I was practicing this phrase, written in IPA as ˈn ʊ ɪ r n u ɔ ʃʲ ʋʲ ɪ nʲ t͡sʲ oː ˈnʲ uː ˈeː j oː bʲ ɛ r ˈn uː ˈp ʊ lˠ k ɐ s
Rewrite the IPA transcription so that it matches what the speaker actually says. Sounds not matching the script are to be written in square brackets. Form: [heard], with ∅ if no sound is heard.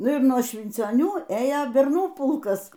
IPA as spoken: ˈn ʊ ɪ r n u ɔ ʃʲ ʋʲ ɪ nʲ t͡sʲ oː ˈnʲ uː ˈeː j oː bʲ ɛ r ˈn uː ˈp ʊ lˠ k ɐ s